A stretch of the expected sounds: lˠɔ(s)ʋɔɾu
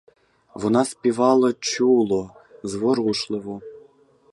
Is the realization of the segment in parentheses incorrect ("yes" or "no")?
yes